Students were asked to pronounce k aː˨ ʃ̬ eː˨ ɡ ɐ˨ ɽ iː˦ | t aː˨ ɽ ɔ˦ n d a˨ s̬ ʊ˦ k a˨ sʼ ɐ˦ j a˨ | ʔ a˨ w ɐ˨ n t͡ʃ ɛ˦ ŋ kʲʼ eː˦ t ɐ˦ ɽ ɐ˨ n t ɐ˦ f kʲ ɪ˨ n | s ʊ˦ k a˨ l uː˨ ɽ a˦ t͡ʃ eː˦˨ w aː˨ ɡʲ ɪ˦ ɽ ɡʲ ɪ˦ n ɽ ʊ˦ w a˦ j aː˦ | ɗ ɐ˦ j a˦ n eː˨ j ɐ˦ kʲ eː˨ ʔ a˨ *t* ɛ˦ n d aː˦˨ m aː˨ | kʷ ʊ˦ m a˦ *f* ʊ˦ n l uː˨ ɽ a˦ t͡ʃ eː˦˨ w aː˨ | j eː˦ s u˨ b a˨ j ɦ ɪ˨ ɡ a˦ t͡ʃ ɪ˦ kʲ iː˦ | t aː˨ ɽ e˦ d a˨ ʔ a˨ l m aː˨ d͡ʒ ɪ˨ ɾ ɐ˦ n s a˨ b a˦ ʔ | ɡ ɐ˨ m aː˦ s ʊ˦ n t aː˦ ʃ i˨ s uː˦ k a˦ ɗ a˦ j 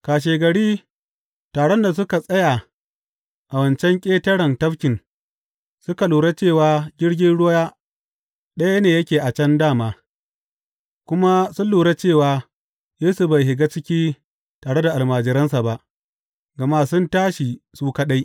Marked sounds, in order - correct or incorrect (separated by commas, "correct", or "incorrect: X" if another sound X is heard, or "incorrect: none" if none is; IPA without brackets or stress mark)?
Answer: incorrect: t͡ʃ, incorrect: s